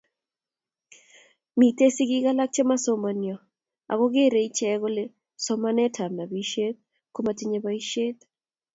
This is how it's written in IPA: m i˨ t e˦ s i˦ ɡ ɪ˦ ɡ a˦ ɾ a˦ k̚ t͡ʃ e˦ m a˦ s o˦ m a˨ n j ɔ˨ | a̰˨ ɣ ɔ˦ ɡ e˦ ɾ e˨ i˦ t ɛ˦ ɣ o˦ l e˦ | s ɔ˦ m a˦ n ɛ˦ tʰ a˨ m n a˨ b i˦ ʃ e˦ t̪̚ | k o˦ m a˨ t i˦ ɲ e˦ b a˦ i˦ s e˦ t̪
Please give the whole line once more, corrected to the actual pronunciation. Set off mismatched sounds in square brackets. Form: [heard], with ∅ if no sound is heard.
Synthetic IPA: m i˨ t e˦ s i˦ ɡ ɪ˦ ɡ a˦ [l] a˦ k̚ t͡ʃ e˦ m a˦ s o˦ m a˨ n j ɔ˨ | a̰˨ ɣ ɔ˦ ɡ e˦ ɾ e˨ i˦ [t͡ʃ] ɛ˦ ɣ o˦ l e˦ | s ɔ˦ m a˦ n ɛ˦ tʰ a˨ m n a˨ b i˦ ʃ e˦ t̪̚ | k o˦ m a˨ t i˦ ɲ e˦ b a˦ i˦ [ʃ] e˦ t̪